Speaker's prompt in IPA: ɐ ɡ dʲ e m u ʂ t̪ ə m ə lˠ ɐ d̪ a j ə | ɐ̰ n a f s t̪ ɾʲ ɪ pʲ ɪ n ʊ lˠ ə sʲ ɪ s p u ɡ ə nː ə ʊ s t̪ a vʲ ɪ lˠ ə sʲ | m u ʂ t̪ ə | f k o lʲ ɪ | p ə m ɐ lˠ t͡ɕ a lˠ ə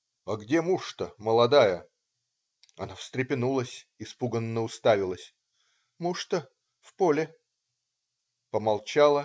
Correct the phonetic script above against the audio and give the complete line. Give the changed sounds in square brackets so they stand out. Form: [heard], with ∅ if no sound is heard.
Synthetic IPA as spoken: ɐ ɡ dʲ e m u ʂ t̪ ə m ə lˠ ɐ d̪ a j ə | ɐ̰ n a f s t̪ ɾʲ ɪ pʲ ɪ n [u] lˠ ə sʲ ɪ s p u ɡ ə nː ə ʊ s t̪ a vʲ ɪ lˠ ə sʲ | m u ʂ t̪ ə | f [p] o lʲ ɪ | p ə m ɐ lˠ t͡ɕ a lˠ ə

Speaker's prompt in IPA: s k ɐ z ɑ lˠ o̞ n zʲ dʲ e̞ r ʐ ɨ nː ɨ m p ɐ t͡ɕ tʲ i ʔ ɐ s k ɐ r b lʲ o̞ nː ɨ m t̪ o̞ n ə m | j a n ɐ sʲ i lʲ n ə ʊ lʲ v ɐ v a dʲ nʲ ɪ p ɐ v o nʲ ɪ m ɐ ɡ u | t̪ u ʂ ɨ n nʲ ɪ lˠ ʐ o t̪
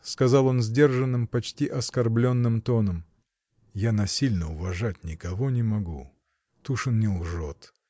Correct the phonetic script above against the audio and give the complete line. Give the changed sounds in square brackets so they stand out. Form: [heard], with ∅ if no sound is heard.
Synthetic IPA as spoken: s k ɐ z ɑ lˠ o̞ n zʲ dʲ e̞ r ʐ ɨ nː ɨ m p ɐ t͡ɕ tʲ i ʔ ɐ s k ɐ r b lʲ o̞ nː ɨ m t̪ o̞ n ə m | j a n ɐ sʲ i lʲ n ə ʊ [∅] v ɐ [ʐ] a [tʲ] nʲ ɪ [k] ɐ v o nʲ ɪ m ɐ ɡ u | t̪ u ʂ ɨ n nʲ ɪ lˠ ʐ o t̪

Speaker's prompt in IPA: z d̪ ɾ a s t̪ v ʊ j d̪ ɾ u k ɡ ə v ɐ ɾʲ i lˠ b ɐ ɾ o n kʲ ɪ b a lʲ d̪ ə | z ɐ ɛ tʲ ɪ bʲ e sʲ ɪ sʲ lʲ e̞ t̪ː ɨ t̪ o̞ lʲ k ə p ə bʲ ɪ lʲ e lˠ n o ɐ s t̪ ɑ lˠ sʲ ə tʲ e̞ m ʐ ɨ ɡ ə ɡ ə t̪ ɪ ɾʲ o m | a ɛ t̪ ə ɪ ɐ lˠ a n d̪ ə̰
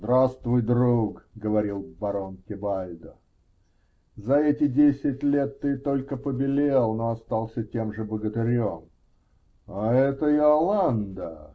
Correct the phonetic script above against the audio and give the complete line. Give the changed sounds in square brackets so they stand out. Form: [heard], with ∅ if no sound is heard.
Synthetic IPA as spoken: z d̪ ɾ a s t̪ v ʊ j d̪ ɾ u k ɡ ə v ɐ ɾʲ i lˠ b ɐ ɾ o n kʲ ɪ b a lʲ d̪ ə | z ɐ ɛ tʲ ɪ [dʲ] e sʲ ɪ [tʲ] lʲ e̞ t̪ː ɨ t̪ o̞ lʲ k ə p ə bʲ ɪ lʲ e lˠ n o ɐ s t̪ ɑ lˠ sʲ ə tʲ e̞ m ʐ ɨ [b] ə ɡ ə t̪ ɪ ɾʲ o m | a ɛ t̪ ə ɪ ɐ lˠ a n d̪ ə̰

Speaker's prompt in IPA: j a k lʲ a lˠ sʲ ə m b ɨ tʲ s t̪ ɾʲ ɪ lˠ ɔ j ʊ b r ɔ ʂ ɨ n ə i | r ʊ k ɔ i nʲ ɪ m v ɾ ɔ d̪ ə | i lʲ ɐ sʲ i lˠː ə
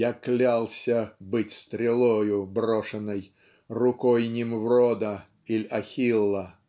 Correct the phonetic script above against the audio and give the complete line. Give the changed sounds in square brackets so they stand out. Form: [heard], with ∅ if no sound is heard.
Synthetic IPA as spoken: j a k lʲ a lˠ sʲ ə [∅] b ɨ tʲ s t̪ ɾʲ ɪ lˠ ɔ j ʊ b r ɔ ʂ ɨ n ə [j] | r ʊ k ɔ [j] nʲ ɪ m v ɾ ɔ d̪ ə | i lʲ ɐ [xʲ] i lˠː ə

